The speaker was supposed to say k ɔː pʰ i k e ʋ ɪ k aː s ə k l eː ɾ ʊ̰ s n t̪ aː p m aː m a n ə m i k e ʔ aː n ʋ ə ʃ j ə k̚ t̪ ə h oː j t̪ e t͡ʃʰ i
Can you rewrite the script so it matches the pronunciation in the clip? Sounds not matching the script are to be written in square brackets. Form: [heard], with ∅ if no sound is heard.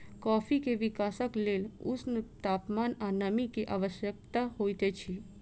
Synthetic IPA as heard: k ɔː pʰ i k e ʋ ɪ k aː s ə k l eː [l] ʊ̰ s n t̪ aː p m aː [n] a n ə m i k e ʔ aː [∅] ʋ ə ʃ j ə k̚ t̪ [a] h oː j t̪ e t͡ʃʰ i